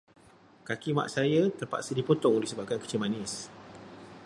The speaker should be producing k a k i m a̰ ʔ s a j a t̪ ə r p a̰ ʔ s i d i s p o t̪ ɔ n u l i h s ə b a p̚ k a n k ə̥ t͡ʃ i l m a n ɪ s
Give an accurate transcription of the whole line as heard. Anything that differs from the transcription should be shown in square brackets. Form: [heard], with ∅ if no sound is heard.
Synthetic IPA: k a k i m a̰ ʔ s a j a t̪ ə r p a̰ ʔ s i d i [∅] p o t̪ ɔ [ŋ] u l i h s ə b a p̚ k a n k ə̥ t͡ʃ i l m a n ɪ s